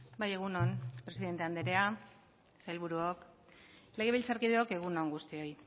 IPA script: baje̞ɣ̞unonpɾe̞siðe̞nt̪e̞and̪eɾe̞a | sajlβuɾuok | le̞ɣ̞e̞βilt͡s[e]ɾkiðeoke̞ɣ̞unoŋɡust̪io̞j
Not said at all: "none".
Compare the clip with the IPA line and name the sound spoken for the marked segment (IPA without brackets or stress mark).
a